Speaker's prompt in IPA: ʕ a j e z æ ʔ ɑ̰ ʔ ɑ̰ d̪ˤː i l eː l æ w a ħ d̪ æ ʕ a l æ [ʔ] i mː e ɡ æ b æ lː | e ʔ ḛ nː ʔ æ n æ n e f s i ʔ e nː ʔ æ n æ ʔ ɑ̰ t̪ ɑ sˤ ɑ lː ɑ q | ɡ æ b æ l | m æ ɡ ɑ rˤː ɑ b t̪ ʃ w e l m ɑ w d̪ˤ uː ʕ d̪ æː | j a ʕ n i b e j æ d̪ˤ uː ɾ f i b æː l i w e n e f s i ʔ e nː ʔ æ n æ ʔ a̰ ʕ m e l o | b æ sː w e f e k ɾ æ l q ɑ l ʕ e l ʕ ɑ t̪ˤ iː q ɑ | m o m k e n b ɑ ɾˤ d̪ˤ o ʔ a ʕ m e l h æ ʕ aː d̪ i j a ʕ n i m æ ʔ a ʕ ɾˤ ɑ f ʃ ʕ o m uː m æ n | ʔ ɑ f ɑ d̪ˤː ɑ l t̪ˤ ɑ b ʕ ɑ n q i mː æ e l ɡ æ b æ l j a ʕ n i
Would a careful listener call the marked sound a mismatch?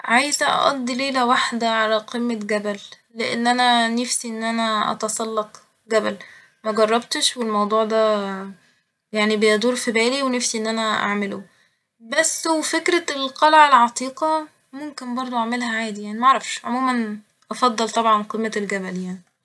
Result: yes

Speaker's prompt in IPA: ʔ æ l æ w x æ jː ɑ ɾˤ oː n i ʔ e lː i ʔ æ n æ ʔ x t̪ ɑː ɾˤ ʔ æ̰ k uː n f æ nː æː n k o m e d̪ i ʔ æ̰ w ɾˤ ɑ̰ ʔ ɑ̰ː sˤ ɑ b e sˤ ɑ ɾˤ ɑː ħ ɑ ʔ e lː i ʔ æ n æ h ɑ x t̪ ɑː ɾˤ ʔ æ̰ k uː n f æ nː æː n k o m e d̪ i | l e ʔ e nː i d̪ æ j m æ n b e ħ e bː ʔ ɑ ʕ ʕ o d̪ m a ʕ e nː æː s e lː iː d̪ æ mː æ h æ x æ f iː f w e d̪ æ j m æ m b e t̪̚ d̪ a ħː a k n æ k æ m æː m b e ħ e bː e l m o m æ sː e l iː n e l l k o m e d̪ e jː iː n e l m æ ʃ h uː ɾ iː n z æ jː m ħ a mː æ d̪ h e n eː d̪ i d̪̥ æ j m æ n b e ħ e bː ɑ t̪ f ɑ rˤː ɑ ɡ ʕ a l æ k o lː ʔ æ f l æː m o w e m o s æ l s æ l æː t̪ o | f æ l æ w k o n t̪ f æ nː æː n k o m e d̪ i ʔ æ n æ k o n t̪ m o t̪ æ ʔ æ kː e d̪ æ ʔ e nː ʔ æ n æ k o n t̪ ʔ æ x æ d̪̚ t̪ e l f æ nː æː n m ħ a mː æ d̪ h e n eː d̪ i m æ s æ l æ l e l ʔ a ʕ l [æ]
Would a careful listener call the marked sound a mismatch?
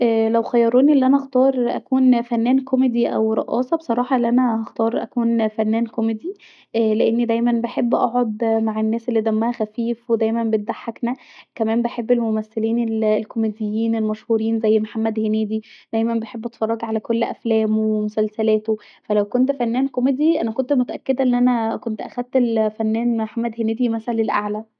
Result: no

